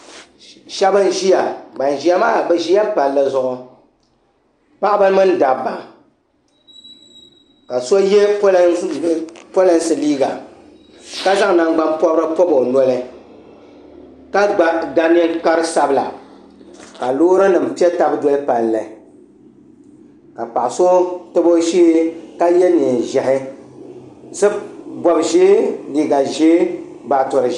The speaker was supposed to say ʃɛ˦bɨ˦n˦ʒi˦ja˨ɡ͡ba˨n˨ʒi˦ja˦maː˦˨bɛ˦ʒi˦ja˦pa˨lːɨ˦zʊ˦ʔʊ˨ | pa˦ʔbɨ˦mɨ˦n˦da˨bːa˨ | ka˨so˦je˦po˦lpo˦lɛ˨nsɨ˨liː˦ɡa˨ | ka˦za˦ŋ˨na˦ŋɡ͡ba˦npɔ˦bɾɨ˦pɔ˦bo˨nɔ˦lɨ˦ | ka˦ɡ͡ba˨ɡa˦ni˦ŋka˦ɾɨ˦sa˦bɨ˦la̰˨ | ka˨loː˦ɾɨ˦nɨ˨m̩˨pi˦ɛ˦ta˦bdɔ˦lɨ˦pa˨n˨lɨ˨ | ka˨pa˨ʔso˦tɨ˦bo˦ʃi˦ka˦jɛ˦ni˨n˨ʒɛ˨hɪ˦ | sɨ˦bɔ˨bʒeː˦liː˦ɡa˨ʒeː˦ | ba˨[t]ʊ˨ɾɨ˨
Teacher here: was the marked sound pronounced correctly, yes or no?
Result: yes